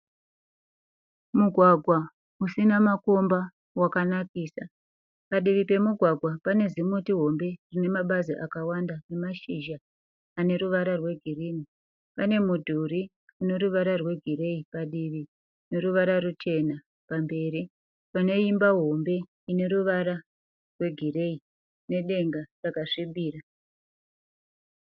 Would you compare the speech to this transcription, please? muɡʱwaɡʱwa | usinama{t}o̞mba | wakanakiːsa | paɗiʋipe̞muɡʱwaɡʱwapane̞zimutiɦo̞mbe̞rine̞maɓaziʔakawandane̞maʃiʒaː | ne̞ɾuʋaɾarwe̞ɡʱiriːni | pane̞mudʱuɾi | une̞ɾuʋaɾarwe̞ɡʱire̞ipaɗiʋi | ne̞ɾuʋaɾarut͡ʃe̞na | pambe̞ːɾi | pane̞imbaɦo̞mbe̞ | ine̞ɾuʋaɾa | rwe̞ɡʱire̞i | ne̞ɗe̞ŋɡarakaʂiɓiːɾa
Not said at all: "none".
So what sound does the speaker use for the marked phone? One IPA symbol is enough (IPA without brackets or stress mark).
k